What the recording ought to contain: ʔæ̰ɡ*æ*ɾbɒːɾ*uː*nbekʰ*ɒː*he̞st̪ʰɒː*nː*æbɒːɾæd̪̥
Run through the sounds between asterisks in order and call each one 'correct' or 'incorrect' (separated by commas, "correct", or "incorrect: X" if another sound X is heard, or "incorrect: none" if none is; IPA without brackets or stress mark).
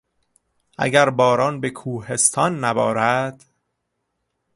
correct, incorrect: ɒː, incorrect: uː, correct